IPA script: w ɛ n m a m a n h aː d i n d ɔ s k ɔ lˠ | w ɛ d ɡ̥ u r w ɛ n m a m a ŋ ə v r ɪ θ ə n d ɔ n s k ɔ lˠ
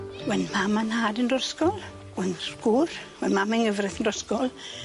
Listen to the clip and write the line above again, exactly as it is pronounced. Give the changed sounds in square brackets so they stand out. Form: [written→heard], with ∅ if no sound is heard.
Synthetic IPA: w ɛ n m a m a n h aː d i n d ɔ s k ɔ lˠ | w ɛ [d→n] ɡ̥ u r w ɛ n m a m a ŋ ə v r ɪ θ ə n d ɔ [n→∅] s k ɔ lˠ